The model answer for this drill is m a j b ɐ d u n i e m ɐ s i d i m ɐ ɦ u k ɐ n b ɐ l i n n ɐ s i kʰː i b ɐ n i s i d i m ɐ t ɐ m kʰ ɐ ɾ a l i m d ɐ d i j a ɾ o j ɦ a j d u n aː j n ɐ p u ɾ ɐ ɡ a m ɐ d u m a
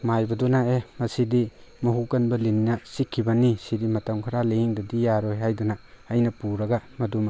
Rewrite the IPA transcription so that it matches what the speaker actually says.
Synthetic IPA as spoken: m a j b ɐ d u n a e m ɐ s i d i m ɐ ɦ u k ɐ n b ɐ l i n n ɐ s i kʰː i b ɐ n i s i d i m ɐ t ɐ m kʰ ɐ ɾ a l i ŋ d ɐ d i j a ɾ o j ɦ a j d u n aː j n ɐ p u ɾ ɐ ɡ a m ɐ d u m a

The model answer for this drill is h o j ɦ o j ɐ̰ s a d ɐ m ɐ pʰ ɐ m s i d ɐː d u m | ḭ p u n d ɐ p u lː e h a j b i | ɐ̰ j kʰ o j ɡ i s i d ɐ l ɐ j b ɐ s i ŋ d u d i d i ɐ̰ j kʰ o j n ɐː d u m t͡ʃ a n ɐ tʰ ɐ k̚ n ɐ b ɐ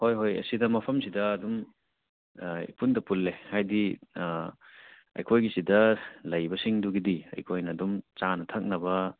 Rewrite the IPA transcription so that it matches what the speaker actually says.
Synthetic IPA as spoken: h o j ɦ o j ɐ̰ s i d ɐ m ɐ pʰ ɐ m s i d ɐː d u m | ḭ p u n d ɐ p u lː e h a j d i | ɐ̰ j kʰ o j ɡ i s i d ɐ l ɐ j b ɐ s i ŋ d u ɡ i d i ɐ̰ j kʰ o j n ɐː d u m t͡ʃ a n ɐ tʰ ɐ k̚ n ɐ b ɐ

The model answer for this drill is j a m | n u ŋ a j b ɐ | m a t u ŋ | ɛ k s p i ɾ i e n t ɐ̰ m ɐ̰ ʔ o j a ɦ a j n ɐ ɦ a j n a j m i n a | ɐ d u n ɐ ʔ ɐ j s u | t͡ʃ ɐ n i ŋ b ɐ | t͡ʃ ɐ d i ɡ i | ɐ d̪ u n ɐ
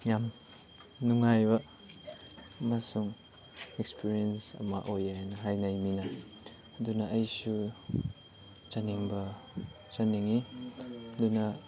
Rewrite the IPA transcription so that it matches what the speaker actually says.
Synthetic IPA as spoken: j a m | n u ŋ a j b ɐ | m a s u ŋ | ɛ k s p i ɾ i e n s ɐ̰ m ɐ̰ ʔ o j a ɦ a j n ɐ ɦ a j n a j m i n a | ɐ d u n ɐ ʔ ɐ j s u | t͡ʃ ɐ n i ŋ b ɐ | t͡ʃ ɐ n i ŋ i | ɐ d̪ u n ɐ

